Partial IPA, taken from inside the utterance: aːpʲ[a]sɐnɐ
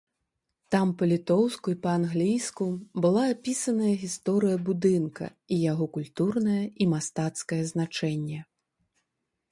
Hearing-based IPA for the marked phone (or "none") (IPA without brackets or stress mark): i